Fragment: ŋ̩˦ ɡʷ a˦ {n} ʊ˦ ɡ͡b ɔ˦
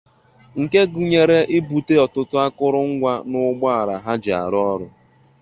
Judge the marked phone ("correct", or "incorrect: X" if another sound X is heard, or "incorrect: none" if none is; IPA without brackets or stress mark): correct